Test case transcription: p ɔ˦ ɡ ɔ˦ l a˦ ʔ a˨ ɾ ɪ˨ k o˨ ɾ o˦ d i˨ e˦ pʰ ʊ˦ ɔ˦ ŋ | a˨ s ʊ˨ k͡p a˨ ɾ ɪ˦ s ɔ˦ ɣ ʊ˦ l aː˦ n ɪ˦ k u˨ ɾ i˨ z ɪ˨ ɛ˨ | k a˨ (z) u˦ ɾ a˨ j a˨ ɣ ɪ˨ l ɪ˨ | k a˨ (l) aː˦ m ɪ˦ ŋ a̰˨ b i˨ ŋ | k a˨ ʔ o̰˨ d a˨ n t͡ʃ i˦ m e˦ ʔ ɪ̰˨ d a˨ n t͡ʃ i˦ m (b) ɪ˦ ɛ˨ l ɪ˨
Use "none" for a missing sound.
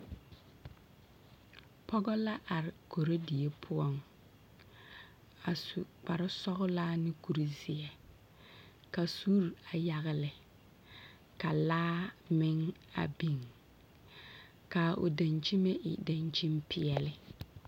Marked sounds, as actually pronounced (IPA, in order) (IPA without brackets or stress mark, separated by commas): s, l, p